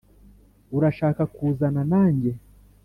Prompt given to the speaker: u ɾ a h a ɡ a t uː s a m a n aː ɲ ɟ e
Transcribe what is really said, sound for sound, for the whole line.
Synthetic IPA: u ɾ a ʃ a k a k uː z a n a n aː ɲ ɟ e